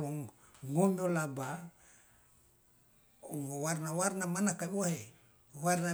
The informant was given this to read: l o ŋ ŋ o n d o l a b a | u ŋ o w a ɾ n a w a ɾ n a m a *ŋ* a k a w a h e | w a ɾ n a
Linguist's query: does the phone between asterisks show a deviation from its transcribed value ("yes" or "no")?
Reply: yes